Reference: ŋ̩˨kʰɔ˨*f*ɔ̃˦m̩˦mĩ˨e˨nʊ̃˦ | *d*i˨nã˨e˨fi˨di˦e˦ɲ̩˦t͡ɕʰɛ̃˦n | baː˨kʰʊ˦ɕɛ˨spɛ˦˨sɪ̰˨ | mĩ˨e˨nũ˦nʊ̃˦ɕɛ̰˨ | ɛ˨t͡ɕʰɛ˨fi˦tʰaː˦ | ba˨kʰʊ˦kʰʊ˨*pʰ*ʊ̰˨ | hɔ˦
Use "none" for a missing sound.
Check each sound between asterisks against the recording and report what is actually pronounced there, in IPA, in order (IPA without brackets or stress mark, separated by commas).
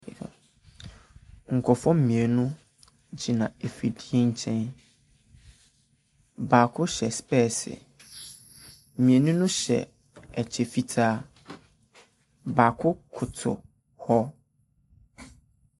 f, d͡ʑ, tʰ